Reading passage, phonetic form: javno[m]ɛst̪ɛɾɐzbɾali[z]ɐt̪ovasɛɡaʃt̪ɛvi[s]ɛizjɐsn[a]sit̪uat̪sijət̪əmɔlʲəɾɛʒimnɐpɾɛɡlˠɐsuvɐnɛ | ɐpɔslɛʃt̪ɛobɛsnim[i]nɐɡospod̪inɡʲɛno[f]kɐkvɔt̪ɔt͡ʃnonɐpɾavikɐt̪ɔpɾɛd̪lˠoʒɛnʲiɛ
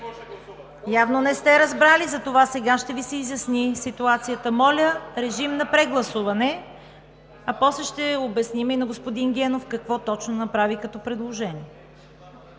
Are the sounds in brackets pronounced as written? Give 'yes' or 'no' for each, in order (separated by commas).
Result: no, yes, yes, no, yes, yes